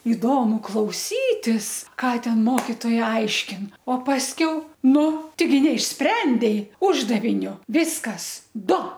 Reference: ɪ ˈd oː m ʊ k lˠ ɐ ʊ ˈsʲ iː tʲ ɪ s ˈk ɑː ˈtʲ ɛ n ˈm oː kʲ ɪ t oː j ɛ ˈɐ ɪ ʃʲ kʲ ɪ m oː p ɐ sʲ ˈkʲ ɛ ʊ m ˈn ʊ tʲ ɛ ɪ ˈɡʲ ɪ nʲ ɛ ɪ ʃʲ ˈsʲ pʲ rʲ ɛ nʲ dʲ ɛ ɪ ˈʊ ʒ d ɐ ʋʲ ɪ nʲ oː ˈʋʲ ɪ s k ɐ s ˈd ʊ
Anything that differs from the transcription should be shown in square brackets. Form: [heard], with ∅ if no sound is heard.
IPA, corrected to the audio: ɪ ˈd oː m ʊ k lˠ ɐ ʊ ˈsʲ iː tʲ ɪ s ˈk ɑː ˈtʲ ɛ n ˈm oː kʲ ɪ t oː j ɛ ˈɐ ɪ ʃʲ kʲ ɪ [n] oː p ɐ sʲ ˈkʲ ɛ ʊ [∅] ˈn ʊ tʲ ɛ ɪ ˈɡʲ ɪ nʲ ɛ ɪ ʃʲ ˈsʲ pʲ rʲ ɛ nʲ dʲ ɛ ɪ ˈʊ ʒ d ɐ ʋʲ ɪ nʲ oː ˈʋʲ ɪ s k ɐ s ˈd ʊ